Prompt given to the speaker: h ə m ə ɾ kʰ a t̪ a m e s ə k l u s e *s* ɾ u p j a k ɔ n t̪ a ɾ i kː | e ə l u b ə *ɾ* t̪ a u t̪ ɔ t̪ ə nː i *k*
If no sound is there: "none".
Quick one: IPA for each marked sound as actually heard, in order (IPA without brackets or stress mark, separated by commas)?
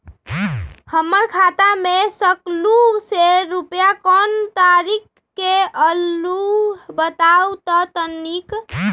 none, none, k